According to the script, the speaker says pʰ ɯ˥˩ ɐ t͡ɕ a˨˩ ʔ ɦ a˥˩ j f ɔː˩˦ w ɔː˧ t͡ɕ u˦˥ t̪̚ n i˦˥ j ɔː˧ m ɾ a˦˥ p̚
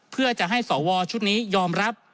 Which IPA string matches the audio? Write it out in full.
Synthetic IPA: pʰ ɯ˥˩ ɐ t͡ɕ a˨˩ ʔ ɦ a˥˩ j s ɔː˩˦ w ɔː˧ t͡ɕʰ u˦˥ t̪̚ n iː˦˥ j ɔː˧ m ɾ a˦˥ p̚

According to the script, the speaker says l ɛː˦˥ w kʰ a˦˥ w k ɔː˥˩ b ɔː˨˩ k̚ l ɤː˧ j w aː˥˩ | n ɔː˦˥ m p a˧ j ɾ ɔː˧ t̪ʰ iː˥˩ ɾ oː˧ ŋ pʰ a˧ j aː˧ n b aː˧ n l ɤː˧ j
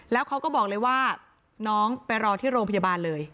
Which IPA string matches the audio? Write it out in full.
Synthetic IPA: l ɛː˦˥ w kʰ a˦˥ w k ɔː˥˩ b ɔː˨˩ k̚ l ɤː˧ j w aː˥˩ | n ɔː˦˥ ŋ p a˧ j ɾ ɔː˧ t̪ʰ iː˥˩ ɾ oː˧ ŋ pʰ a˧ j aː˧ b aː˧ n l ɤː˧ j

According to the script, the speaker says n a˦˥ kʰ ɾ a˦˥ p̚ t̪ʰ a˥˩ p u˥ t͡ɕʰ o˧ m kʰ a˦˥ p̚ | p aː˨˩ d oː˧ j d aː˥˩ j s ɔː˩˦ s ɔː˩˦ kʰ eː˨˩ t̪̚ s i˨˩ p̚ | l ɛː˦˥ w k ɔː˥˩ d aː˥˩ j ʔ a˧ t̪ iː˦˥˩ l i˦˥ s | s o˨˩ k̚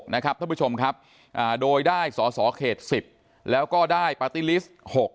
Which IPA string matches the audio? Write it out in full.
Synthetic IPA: n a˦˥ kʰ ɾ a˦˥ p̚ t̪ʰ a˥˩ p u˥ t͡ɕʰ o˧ m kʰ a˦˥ p̚ | ʔ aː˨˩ d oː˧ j d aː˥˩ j s ɔː˩˦ s ɔː˩˦ kʰ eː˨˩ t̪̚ s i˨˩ p̚ | l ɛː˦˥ w k ɔː˥˩ d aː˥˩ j p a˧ t̪ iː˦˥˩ l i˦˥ s | h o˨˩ k̚

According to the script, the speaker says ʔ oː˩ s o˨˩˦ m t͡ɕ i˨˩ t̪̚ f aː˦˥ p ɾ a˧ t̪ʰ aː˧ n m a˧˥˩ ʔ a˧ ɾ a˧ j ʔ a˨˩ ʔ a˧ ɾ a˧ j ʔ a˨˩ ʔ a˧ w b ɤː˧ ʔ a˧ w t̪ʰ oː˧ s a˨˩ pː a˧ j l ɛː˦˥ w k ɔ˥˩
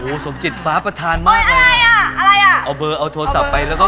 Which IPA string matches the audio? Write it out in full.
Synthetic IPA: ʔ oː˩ s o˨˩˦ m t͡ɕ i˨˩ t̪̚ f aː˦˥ p ɾ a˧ t̪ʰ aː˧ n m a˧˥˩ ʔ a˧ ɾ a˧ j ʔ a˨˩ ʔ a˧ ɾ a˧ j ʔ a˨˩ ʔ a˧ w b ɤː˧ ʔ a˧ w t̪ʰ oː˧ s a˨˩ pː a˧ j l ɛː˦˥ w k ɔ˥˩

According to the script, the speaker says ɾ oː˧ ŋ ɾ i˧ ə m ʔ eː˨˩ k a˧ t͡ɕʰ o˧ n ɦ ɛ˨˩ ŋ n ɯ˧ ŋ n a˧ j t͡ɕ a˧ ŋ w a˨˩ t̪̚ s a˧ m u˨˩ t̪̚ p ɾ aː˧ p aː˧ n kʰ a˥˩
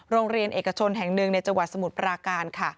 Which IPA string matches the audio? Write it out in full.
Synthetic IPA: ɾ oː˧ ŋ ɾ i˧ ə n ʔ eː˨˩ k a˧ t͡ɕʰ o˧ n ɦ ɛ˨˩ ŋ n ɯ˨˩ ŋ n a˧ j t͡ɕ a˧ ŋ w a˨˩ t̪̚ s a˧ m u˨˩ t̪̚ p ɾ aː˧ k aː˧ n kʰ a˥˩

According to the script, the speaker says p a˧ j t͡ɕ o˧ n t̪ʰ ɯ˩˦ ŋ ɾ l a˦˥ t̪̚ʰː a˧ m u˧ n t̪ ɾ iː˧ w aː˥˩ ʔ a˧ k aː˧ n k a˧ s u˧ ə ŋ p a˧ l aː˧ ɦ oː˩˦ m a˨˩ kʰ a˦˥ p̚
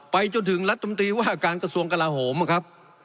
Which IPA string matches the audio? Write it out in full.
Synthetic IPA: p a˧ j t͡ɕ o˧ n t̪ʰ ɯ˩˦ ŋ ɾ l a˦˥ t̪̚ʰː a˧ m u˧ n t̪ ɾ iː˧ w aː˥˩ ʔ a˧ k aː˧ n k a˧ s u˧ ə ŋ k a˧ l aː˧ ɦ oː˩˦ m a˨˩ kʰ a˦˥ p̚

